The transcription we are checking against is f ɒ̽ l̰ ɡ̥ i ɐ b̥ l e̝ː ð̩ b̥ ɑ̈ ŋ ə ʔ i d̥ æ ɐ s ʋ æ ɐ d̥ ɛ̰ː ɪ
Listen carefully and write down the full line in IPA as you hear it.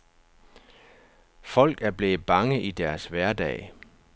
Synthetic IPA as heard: f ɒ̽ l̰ ɡ̥ æ ɐ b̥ l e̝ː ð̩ b̥ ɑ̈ ŋ ə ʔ i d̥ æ ɐ s ʋ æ ɐ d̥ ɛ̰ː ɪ